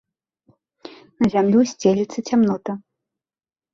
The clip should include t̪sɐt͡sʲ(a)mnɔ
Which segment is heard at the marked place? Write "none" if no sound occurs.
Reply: a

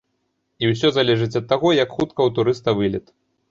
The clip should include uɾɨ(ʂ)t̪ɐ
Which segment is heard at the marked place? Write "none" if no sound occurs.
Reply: s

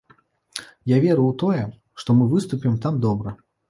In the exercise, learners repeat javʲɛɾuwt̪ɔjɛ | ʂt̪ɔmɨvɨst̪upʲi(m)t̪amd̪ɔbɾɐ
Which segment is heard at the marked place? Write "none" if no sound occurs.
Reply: m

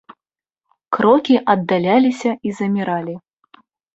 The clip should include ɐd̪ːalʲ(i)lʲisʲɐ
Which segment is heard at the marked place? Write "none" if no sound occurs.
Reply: a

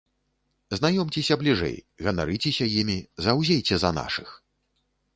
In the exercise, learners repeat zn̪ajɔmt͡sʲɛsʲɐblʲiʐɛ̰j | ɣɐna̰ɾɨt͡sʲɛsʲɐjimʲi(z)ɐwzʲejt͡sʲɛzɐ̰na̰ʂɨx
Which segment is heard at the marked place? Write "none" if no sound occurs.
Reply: z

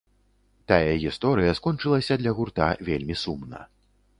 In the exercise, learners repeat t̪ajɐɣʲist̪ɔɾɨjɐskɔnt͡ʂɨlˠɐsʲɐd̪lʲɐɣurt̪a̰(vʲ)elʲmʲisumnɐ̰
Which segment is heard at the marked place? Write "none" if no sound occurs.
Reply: vʲ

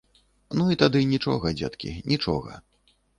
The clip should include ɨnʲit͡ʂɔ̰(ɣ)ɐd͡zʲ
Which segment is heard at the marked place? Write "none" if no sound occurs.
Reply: ɣ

